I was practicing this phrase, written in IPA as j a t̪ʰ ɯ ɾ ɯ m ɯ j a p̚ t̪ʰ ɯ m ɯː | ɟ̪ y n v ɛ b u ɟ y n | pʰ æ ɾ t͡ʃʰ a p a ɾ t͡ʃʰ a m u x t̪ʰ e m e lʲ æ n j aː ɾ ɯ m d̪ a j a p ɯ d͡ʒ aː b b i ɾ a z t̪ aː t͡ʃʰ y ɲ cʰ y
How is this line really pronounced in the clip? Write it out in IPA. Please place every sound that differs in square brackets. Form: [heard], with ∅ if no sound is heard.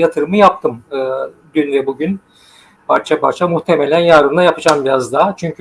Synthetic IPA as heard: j a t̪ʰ ɯ ɾ ɯ m ɯ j a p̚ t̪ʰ ɯ m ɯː | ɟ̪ y n v ɛ b u ɟ y n | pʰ [a] ɾ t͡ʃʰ a p a ɾ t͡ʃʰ a m u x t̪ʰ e m e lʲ æ n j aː ɾ ɯ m d̪ a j a p ɯ d͡ʒ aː [m] b i ɾ a z [d̪] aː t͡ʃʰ y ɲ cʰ y